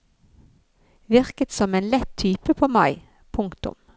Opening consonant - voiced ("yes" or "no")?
yes